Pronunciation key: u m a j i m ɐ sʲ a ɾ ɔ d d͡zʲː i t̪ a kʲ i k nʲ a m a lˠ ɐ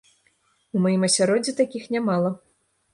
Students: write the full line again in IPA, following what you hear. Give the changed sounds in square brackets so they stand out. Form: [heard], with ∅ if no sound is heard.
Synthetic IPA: u m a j i m ɐ sʲ a ɾ ɔ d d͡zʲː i t̪ a kʲ i [x] nʲ a m a lˠ ɐ